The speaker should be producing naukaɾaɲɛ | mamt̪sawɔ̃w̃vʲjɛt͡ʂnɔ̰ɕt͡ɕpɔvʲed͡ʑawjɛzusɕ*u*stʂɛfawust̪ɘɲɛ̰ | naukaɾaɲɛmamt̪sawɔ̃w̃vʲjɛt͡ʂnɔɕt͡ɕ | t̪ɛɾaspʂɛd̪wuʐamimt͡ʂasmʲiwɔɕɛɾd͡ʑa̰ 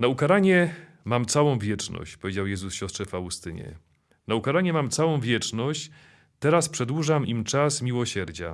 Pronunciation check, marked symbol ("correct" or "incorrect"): incorrect